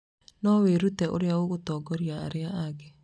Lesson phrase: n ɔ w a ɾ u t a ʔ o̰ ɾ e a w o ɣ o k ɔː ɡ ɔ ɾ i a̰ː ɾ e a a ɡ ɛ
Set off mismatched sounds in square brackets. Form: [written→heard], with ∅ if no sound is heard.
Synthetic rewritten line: n ɔ w [a→e] ɾ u t [a→ɛ] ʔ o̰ ɾ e a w o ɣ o [k→t] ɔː ɡ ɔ ɾ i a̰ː ɾ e a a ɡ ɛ

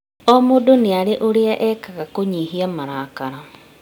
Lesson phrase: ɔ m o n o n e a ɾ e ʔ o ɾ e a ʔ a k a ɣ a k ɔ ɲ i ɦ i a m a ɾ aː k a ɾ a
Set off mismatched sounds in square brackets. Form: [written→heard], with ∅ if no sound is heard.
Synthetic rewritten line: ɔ m o [n→d] o n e a ɾ e ʔ o ɾ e a ʔ [a→ɛ] k a ɣ a k [ɔ→o] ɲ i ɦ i a m a ɾ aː k a ɾ a

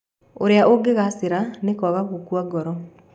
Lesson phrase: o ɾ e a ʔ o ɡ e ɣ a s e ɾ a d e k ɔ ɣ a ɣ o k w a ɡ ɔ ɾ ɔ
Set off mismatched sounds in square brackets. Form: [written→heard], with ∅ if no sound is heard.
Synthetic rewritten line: o ɾ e a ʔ o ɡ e ɣ a s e ɾ a [d→n] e k ɔ ɣ a ɣ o k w a ɡ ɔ ɾ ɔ

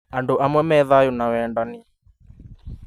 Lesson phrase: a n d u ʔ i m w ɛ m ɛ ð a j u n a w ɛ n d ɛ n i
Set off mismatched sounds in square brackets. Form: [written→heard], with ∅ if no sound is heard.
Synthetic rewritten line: a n d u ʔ [i→a] m w ɛ m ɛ ð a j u n a w ɛ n d [ɛ→a] n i

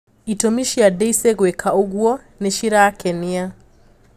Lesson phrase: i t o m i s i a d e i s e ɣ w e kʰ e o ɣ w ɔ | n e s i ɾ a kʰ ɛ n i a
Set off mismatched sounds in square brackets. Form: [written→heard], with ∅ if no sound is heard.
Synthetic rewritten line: i t o m i [s→ʃ] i a d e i s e ɣ w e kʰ [e→a] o ɣ w ɔ | n e [s→ʃ] i ɾ a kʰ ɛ n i a

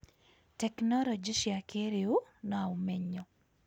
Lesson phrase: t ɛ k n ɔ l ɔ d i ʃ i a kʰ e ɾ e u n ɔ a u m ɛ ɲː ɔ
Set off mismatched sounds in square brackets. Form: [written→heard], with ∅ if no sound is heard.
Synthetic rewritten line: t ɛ k n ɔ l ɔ [d→d͡ʒ] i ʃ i a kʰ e ɾ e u n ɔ a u m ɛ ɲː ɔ

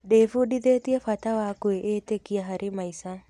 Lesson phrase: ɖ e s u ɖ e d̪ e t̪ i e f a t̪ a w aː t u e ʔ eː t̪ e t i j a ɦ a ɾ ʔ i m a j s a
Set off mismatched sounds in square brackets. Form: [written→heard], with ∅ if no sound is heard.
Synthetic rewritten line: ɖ e [s→f] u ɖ [e→i] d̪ e t̪ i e f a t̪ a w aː [t→k] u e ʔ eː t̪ e [t→k] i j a ɦ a ɾ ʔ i m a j s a

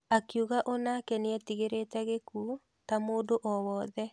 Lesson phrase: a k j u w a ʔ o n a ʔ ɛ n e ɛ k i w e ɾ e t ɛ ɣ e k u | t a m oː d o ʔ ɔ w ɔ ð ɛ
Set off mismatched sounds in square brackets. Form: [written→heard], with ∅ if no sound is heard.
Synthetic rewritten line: a k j u [w→ɣ] a ʔ o n a [ʔ→k] ɛ n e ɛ [k→t] i [w→ɣ] e ɾ e t ɛ ɣ e k u | t a m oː d o ʔ ɔ w ɔ ð ɛ

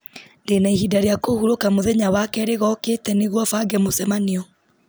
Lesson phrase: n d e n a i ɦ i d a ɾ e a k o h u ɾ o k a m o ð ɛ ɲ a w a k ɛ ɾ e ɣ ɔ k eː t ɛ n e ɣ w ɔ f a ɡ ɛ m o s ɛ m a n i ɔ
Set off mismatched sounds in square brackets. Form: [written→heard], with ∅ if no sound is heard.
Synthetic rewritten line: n d e n a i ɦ i d a ɾ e a k o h u ɾ o k a m o ð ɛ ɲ a w a k ɛ ɾ e ɣ ɔ k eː t ɛ n e ɣ w ɔ f a ɡ ɛ m o s ɛ m a n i ɔ

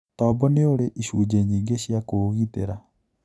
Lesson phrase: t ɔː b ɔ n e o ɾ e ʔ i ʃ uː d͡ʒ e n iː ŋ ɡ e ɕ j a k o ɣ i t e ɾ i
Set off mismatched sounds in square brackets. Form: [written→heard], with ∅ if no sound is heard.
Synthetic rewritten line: t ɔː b ɔ n e o ɾ e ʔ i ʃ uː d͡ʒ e [n→ɲ] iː ŋ ɡ e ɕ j a k o ɣ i t e ɾ [i→a]

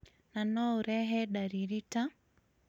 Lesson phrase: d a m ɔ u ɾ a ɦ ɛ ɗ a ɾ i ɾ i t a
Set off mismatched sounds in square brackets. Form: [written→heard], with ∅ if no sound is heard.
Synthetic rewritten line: [d→n] a [m→n] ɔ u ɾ [a→ɛ] ɦ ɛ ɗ a ɾ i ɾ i t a

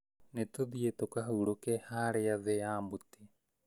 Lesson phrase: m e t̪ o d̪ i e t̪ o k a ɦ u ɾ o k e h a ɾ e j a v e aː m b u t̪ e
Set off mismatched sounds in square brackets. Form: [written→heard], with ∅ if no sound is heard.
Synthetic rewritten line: [m→n] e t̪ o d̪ i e t̪ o k a ɦ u ɾ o k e h a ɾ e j a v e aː m b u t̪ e

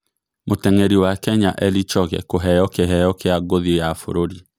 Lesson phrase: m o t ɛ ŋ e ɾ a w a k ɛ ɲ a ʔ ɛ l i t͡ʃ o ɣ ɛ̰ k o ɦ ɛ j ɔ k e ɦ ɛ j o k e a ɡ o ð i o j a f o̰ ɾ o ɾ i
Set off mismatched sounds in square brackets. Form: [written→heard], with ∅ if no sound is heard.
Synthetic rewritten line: m o t ɛ ŋ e ɾ [a→i] w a k ɛ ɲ a ʔ ɛ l i t͡ʃ [o→ɔ] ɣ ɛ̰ k o ɦ ɛ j ɔ k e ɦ ɛ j [o→ɔ] k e a ɡ o ð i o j a f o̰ ɾ o ɾ i

